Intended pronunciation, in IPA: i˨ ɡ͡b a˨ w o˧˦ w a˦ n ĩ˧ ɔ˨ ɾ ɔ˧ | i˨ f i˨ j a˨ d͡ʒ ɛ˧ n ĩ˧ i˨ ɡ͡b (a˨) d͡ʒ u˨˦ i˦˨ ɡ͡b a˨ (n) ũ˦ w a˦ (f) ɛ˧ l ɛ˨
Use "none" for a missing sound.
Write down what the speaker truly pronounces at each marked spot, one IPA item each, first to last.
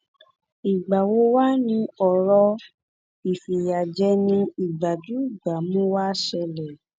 a˨, m, ʃ

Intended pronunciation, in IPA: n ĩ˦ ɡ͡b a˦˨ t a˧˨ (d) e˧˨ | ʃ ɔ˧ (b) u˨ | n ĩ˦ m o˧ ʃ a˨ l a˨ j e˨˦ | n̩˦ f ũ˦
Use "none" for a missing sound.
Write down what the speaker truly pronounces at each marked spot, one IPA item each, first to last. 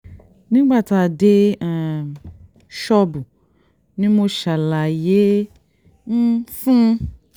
d, b

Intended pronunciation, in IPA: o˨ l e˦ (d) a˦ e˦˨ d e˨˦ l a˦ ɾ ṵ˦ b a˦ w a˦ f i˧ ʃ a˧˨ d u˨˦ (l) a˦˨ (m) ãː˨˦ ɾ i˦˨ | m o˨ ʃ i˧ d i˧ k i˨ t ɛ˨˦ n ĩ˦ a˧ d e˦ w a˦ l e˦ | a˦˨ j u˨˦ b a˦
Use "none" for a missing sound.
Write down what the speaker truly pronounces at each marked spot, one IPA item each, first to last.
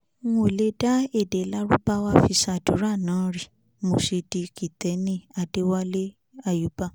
d, ɾ, n

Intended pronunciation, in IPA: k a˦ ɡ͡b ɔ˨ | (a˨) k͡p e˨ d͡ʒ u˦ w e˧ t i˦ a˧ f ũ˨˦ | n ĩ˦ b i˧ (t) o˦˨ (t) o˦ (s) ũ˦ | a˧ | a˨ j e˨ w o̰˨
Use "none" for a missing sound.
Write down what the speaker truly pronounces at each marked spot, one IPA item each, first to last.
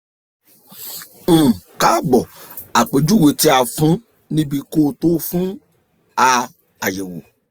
a˨, k, t, f

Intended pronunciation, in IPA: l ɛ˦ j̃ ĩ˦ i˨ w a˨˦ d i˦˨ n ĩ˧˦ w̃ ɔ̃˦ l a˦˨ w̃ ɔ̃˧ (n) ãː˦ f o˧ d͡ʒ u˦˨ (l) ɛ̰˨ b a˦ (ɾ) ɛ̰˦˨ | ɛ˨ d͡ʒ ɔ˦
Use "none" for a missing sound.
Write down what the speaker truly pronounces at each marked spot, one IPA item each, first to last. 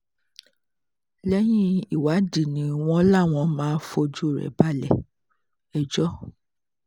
m, ɾ, l

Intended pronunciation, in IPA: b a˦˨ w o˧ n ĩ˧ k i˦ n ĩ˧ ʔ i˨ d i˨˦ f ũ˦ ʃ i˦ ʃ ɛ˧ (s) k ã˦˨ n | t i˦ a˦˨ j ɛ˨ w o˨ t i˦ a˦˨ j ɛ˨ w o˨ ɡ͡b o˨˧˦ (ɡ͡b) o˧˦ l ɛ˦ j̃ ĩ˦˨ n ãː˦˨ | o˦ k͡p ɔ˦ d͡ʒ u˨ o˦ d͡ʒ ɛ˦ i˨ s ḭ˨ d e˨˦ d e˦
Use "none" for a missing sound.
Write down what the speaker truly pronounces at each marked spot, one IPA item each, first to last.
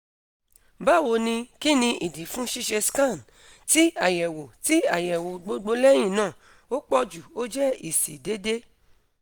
s, ɡ͡b

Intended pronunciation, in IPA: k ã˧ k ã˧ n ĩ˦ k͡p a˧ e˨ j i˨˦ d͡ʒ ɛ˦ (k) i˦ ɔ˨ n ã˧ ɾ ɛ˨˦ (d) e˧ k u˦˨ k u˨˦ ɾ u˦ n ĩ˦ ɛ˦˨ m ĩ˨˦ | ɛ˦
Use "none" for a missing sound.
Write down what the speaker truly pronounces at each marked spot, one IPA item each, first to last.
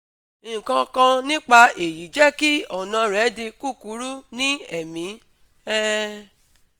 k, d

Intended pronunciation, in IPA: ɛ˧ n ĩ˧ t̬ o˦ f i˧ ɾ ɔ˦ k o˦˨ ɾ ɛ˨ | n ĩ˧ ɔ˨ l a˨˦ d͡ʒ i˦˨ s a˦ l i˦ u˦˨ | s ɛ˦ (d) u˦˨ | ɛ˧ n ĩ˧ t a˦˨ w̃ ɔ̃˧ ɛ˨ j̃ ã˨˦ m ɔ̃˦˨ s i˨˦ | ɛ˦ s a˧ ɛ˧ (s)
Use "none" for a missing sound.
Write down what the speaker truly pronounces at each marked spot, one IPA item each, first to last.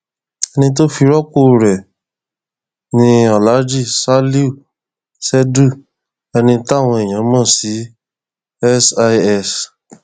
d, s

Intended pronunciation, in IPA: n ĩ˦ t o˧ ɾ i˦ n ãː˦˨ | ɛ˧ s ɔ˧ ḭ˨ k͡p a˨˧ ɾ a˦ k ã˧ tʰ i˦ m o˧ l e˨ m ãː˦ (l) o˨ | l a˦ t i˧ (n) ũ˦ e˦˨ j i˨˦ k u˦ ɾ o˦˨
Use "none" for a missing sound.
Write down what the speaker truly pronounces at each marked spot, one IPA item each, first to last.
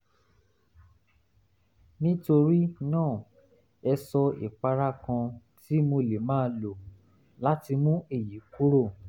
l, m

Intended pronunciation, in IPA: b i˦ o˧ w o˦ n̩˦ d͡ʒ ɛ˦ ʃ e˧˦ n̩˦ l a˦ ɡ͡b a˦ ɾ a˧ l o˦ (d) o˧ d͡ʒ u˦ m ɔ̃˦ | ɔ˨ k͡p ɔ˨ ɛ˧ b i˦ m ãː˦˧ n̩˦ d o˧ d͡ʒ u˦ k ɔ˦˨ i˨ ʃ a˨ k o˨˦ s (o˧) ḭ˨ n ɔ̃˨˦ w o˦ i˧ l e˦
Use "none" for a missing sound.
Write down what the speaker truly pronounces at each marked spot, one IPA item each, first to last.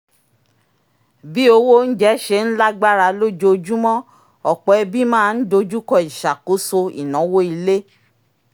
d͡ʒ, o˧

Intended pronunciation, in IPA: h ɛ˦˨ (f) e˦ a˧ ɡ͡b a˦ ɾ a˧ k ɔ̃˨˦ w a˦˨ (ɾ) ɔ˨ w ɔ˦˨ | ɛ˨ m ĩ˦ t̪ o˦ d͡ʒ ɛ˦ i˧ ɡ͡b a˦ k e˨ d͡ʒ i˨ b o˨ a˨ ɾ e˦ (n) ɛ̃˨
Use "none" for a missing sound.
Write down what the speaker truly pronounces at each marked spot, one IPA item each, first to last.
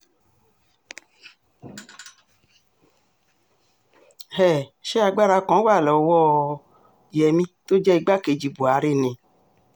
ʃ, l, n

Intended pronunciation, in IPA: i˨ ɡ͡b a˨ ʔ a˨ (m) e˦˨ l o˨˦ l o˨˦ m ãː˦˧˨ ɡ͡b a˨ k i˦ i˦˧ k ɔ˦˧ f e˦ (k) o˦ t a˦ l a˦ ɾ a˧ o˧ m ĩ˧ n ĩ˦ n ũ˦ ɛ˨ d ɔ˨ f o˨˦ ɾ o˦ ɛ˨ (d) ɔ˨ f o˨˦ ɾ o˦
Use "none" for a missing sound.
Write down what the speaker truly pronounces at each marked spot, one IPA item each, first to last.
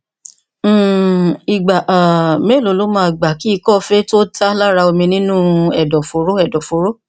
m, t, d

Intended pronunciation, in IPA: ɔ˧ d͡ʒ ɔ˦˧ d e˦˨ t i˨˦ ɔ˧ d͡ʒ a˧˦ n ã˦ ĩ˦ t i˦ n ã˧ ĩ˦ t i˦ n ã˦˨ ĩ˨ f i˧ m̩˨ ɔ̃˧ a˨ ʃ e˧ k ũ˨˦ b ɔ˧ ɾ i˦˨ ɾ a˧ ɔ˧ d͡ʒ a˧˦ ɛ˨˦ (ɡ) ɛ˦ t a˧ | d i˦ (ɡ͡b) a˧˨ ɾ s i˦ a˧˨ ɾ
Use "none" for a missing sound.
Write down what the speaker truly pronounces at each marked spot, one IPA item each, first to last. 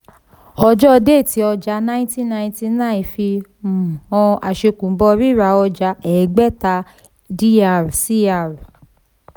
ɡ͡b, none

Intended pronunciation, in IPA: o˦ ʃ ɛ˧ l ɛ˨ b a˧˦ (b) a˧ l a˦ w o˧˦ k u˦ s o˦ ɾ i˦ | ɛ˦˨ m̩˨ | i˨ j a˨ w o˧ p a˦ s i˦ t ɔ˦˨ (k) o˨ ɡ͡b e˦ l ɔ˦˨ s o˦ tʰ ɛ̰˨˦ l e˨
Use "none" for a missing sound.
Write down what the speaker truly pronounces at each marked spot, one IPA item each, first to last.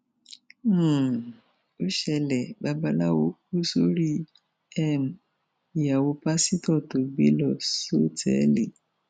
b, t

